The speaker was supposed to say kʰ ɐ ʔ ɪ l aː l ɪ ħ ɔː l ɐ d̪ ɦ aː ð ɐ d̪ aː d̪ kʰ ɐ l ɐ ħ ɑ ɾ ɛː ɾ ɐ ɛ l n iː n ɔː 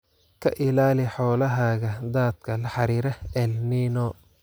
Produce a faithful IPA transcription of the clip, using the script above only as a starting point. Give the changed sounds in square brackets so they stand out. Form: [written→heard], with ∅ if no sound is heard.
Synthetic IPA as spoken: kʰ ɐ ʔ ɪ l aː l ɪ ħ ɔː l ɐ [d̪→∅] ɦ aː [ð→ɣ] ɐ d̪ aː d̪ kʰ ɐ l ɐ ħ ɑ ɾ [ɛː→iː] ɾ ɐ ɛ l n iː n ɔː